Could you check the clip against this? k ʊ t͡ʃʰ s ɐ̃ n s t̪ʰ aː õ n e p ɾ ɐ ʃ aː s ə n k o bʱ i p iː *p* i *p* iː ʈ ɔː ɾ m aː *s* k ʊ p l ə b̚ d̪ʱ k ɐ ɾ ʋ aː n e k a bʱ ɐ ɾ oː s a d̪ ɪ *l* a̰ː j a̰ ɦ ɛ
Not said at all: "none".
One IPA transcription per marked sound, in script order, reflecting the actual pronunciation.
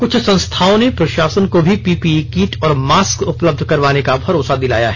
p, k, s, l

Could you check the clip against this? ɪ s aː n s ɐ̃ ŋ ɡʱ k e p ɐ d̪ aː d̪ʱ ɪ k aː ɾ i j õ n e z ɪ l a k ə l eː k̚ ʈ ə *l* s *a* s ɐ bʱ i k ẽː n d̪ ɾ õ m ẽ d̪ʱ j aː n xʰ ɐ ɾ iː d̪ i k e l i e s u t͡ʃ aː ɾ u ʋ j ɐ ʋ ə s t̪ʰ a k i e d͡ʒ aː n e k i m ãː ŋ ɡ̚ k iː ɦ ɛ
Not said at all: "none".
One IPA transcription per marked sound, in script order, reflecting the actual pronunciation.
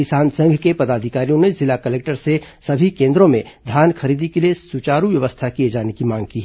ɾ, e

